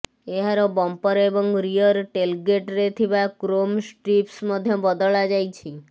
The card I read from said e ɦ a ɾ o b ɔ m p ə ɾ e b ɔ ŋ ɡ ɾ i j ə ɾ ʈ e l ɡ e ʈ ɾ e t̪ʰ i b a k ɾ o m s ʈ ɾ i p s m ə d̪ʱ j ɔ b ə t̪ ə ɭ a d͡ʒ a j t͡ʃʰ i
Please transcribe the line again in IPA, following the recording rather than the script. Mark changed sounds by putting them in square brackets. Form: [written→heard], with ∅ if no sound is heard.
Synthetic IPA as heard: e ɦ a ɾ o b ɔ m p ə ɾ e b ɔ ŋ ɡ ɾ i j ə ɾ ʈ e l ɡ e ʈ ɾ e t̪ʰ i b a k ɾ o m s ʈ ɾ i p s m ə d̪ʱ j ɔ b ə [t̪→d̪] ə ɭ a d͡ʒ a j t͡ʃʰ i